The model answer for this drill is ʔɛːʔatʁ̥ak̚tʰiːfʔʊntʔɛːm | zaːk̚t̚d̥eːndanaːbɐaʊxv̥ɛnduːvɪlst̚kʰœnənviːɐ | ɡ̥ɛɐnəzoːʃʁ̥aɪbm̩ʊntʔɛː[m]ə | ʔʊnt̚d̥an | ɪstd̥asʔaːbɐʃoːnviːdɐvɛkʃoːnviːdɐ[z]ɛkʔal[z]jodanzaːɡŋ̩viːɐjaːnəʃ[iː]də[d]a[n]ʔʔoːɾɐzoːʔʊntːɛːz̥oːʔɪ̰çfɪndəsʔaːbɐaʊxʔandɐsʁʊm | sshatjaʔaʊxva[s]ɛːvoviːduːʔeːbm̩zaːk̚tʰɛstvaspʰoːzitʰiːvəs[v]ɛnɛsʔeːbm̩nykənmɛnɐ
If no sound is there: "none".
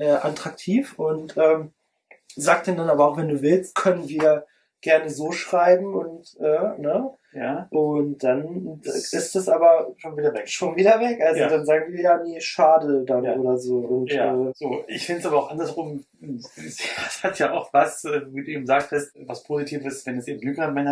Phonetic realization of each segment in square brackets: n, v, z, aː, d, n, s, v

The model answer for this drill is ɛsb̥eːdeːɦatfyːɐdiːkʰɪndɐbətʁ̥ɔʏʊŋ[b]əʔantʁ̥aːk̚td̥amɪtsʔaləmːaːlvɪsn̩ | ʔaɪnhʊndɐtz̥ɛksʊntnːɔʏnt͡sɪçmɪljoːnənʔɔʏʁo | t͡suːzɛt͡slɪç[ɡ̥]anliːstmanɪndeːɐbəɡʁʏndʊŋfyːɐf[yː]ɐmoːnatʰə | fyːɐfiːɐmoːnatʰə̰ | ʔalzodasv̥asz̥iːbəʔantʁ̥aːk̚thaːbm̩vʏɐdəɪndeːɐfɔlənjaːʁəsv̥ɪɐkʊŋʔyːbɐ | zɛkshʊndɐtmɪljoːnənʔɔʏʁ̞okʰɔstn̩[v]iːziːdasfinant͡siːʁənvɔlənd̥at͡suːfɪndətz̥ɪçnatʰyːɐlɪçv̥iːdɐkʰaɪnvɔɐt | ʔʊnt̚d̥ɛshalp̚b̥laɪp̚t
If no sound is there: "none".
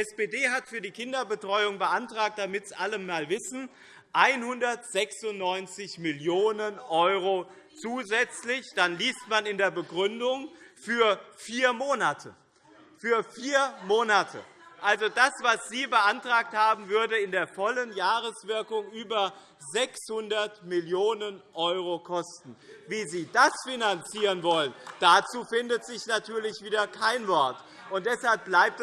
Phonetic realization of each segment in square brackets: b, d̥, iː, v

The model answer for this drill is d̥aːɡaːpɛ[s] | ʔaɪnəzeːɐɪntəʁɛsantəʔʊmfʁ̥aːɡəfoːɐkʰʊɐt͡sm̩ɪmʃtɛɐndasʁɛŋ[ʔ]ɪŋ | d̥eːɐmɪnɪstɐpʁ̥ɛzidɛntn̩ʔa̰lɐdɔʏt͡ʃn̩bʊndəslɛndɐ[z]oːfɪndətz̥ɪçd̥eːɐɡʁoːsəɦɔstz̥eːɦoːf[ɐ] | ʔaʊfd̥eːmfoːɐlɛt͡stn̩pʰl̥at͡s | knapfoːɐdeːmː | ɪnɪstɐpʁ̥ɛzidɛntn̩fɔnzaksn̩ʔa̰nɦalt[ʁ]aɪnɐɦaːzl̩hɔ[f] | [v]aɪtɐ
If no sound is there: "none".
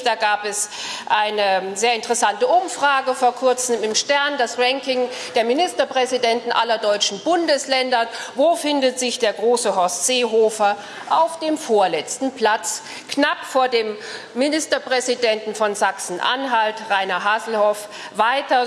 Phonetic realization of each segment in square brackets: s, k, v, ɐ, ʁ, f, v

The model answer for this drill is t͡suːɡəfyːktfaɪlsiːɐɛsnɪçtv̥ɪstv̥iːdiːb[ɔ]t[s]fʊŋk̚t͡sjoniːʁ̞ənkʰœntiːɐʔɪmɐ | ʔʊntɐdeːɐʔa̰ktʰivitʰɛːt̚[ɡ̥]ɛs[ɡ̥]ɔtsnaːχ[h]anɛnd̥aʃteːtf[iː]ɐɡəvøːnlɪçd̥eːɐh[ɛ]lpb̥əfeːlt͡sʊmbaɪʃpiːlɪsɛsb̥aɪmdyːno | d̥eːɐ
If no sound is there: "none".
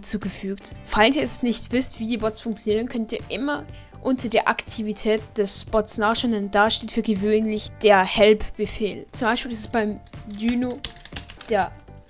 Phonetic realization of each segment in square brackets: ɔ, s, d̥, b̥, ʃ, yː, ɛ

